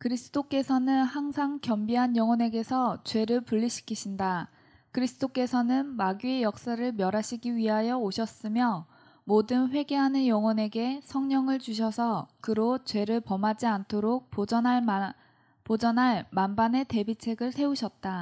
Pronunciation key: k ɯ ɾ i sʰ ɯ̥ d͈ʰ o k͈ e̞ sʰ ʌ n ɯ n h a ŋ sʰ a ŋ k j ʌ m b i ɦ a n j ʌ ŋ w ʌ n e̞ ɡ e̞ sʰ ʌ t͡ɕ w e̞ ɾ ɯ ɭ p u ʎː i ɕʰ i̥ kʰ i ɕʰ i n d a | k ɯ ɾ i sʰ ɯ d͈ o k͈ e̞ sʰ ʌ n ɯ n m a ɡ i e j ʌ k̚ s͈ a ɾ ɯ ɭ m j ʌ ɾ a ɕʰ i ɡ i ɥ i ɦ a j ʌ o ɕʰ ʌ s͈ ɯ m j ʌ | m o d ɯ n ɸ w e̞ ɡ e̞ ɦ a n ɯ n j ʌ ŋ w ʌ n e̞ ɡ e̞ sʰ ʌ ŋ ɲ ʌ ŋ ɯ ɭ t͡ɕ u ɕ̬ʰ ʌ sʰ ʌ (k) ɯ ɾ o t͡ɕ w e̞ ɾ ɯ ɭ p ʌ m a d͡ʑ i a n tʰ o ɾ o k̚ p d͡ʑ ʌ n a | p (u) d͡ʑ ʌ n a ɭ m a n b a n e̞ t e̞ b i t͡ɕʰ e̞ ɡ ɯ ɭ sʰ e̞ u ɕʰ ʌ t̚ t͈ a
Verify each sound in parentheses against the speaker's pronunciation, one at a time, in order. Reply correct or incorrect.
correct, incorrect

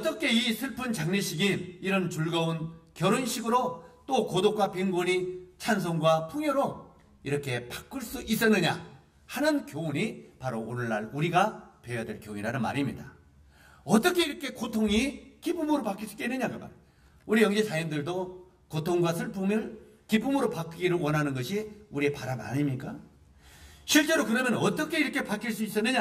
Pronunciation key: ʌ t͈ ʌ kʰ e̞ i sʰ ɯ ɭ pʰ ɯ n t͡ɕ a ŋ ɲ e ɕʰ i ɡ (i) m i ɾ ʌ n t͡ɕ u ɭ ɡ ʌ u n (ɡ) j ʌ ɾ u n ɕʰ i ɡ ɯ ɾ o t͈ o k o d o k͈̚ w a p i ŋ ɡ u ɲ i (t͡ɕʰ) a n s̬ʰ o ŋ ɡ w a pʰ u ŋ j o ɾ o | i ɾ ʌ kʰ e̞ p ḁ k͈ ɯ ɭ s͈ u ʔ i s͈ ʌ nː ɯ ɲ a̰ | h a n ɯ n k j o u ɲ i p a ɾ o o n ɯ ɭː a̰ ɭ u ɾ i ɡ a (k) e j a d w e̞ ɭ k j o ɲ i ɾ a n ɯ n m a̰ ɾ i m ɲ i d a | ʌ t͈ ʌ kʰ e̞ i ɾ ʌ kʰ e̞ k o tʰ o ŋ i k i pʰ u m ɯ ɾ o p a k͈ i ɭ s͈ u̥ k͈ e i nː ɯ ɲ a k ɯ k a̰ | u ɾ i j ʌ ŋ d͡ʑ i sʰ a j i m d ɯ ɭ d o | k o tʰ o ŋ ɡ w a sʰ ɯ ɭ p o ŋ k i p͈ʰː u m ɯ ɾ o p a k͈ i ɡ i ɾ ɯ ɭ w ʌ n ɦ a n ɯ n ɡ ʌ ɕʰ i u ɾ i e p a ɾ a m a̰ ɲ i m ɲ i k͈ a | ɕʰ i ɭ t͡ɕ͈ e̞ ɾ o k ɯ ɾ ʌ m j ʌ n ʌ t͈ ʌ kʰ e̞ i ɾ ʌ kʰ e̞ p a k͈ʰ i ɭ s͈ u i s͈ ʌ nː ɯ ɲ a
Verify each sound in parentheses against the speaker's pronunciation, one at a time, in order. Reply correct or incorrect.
correct, incorrect, correct, incorrect

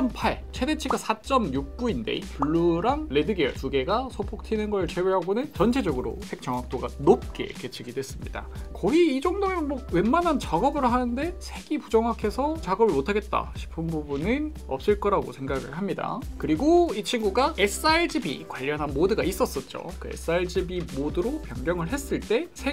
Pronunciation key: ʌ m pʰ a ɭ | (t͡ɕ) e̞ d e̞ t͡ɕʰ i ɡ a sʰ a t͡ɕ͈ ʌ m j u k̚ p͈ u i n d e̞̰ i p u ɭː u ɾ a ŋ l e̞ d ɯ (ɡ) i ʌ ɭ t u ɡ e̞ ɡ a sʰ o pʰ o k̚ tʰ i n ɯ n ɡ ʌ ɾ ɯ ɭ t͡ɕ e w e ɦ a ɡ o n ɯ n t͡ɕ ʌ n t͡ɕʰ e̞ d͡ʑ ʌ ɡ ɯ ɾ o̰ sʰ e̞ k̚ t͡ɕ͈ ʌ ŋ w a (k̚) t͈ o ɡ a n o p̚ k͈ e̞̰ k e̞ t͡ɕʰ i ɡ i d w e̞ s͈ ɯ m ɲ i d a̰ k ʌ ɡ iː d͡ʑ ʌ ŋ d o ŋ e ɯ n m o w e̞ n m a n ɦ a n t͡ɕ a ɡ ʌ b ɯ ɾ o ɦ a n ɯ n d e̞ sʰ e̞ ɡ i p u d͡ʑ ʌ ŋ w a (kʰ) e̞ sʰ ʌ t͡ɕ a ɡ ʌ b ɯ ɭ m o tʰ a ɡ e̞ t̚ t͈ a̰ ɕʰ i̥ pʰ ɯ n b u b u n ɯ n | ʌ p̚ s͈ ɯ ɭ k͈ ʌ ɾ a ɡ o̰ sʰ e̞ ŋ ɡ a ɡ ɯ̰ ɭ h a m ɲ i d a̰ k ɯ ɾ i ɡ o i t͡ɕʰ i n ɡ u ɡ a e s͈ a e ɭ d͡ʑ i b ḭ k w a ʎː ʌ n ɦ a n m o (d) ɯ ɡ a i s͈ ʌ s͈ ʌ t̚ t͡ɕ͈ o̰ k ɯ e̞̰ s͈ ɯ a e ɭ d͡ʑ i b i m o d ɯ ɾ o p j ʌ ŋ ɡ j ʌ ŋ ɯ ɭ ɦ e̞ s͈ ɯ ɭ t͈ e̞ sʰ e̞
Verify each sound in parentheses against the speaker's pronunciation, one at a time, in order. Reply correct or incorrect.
incorrect, correct, correct, correct, correct

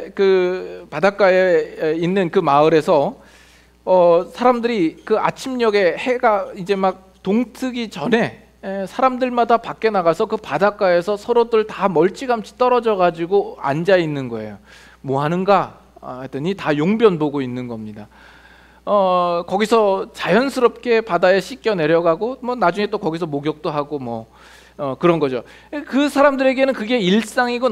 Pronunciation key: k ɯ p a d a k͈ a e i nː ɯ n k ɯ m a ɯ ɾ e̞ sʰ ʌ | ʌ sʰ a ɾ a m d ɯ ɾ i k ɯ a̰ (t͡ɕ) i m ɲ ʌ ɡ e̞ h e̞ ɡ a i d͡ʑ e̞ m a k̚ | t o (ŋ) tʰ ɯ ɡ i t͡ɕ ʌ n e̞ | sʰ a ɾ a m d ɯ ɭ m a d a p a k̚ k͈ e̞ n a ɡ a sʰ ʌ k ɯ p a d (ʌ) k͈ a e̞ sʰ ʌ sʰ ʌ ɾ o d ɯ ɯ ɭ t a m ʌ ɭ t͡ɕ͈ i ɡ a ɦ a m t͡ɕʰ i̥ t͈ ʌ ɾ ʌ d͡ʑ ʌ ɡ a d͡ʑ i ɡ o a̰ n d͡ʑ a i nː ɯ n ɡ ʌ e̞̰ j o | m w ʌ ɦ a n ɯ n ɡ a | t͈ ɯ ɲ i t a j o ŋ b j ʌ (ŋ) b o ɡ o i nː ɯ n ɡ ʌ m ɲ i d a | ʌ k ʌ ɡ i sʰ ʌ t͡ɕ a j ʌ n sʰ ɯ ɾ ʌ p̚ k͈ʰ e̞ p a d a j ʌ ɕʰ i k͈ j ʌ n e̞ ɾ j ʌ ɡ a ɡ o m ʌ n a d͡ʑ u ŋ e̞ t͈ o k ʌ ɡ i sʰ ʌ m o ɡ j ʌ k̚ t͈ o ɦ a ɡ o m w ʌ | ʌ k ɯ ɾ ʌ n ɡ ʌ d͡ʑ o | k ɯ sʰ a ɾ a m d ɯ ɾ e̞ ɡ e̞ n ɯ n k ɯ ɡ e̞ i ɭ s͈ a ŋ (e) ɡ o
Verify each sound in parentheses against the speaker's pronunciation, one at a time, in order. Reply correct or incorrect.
incorrect, correct, incorrect, incorrect, incorrect

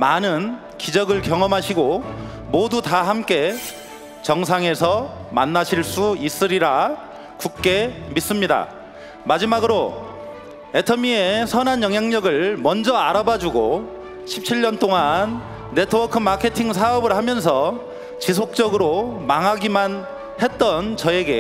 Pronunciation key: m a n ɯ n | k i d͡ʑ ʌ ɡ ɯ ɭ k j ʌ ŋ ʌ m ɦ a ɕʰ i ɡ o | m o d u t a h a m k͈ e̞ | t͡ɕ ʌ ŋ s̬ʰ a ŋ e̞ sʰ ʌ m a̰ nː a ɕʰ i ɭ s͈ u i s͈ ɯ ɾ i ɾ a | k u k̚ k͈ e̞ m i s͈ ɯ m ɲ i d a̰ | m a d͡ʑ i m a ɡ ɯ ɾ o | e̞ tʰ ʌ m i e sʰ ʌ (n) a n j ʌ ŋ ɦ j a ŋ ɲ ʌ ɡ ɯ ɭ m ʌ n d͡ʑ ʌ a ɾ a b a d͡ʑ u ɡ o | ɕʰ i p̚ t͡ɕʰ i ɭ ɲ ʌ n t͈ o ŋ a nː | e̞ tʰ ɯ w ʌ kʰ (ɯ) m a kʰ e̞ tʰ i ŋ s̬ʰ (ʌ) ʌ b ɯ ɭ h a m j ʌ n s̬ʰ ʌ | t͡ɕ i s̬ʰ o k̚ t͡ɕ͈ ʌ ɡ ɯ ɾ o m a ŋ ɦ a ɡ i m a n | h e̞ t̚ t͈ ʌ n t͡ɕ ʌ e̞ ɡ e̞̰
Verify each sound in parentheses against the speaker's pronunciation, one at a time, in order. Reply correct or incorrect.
correct, correct, incorrect

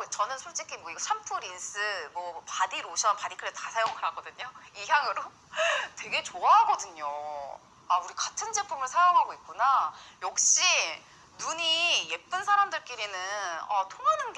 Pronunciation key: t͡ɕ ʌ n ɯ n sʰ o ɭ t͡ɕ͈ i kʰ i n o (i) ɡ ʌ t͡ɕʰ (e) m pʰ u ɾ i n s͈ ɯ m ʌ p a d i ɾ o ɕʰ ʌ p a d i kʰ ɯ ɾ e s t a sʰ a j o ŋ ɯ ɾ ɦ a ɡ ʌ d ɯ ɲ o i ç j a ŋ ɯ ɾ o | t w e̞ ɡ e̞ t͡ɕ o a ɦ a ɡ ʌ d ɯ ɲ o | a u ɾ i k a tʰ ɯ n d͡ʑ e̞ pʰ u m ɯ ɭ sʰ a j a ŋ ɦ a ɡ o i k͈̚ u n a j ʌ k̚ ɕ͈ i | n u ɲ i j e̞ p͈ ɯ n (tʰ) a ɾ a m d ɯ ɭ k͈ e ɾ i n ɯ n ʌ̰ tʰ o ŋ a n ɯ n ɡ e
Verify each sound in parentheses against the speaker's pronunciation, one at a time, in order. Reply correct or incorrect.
correct, incorrect, incorrect

